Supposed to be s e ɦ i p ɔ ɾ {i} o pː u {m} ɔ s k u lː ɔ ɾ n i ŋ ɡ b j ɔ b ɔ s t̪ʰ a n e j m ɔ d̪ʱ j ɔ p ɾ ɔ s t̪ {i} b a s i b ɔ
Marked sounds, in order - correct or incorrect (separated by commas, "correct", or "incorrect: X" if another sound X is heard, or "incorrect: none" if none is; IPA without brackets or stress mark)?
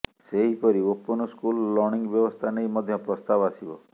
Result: correct, incorrect: n, incorrect: a